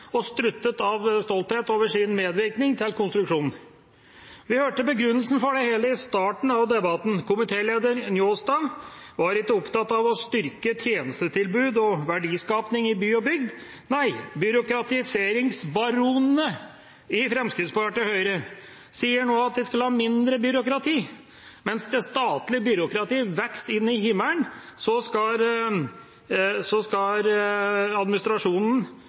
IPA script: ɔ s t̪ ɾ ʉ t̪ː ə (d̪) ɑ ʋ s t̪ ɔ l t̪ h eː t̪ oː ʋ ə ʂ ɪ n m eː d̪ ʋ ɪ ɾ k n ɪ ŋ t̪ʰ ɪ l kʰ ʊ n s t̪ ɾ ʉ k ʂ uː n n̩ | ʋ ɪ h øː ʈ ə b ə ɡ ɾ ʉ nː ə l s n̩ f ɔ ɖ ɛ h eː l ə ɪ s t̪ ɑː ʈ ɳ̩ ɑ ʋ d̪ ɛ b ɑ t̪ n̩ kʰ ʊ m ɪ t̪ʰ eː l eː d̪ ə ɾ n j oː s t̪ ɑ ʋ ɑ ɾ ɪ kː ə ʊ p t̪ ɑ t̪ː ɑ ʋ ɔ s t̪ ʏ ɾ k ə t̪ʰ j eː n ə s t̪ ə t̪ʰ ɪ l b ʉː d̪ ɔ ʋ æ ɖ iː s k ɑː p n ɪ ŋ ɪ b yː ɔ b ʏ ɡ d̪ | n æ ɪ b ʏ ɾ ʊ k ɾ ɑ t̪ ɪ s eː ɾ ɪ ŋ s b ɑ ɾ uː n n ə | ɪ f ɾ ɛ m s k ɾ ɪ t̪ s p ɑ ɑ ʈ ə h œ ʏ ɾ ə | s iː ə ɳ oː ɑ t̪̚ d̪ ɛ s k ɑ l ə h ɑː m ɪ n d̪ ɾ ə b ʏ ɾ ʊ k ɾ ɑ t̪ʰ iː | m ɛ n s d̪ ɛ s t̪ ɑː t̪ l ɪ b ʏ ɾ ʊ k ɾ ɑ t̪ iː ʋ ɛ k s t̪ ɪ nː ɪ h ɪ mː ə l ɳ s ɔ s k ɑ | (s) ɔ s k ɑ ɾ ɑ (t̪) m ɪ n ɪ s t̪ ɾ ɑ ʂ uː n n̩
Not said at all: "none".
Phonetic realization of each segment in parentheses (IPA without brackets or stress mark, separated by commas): t̪, s, d̪